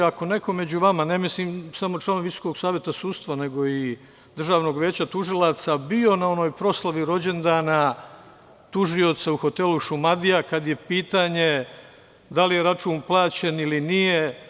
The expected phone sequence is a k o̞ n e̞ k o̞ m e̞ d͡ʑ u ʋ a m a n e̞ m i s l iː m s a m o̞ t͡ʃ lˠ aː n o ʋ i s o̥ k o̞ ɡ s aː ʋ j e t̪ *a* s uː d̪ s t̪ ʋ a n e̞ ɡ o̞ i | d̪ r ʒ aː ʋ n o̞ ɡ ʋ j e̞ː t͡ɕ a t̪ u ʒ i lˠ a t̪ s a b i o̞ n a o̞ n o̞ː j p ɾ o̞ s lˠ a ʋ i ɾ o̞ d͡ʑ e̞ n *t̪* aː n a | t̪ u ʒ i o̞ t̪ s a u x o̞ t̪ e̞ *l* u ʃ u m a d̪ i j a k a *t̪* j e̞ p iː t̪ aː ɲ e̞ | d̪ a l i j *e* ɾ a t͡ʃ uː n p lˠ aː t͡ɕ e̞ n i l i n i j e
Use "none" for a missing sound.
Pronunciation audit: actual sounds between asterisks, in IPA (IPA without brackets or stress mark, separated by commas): a, d̪, l, d̪, e